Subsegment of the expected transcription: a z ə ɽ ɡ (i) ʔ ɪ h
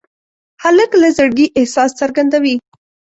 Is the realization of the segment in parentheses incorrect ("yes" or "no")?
no